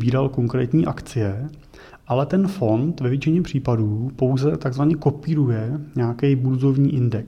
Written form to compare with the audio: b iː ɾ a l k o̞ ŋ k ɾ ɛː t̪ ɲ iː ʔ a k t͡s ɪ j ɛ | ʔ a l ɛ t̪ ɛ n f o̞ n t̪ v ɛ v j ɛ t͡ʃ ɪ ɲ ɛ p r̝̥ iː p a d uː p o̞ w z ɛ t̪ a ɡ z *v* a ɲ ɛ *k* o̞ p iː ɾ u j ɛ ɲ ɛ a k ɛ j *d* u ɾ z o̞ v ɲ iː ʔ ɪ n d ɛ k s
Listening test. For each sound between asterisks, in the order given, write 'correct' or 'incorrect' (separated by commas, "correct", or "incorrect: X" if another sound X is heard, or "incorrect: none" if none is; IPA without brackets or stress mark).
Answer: correct, correct, incorrect: b